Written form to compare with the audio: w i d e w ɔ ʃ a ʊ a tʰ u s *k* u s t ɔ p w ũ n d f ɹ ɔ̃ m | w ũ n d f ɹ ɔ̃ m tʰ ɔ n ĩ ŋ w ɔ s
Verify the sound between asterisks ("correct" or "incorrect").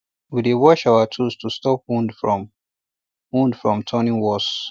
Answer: incorrect